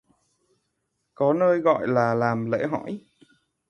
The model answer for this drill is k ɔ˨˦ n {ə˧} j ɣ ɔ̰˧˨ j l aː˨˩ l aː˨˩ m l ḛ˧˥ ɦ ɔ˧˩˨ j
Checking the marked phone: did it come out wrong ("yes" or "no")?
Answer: yes